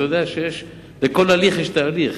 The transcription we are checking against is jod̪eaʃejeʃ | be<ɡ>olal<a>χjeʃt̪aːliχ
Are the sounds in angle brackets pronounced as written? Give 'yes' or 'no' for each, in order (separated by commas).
no, no